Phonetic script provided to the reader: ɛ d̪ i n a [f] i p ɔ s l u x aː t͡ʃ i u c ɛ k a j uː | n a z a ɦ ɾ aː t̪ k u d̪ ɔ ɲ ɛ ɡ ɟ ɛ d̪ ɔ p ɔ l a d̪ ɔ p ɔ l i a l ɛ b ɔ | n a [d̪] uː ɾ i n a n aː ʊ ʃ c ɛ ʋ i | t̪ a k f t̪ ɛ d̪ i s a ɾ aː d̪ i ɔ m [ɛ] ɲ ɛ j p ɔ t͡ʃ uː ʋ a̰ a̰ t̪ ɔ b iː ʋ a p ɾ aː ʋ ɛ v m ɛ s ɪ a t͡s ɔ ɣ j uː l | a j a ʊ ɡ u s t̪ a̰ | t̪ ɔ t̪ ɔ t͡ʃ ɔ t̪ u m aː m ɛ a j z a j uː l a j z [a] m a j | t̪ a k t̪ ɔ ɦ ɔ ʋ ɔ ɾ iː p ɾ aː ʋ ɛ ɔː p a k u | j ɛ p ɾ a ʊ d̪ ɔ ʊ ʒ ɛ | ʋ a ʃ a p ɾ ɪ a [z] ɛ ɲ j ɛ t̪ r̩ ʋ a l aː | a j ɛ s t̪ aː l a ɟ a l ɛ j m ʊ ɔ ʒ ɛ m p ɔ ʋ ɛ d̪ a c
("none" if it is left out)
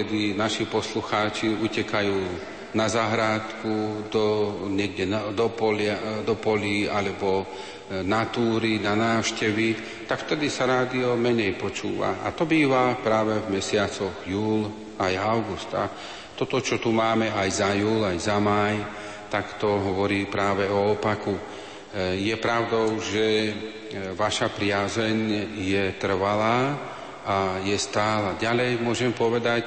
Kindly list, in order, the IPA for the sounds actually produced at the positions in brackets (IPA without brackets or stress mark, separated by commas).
ʃ, t̪, ɛ, a, z